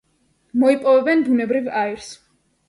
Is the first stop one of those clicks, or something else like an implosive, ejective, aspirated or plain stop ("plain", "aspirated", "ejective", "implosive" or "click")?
ejective